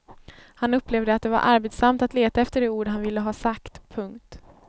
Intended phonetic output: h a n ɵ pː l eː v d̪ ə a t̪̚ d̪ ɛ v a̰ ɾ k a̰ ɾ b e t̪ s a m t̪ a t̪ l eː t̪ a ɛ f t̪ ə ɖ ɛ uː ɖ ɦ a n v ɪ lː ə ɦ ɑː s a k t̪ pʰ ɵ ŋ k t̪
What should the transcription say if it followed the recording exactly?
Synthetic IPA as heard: h a n ɵ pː l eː v d̪ ə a t̪̚ d̪ ɛ v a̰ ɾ ʔ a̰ ɾ b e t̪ s a m t̪ a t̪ l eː t̪ a ɛ f t̪ ə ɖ ɛ uː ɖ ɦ a n v ɪ lː ə ɦ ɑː s a k t̪ pʰ ɵ ŋ k t̪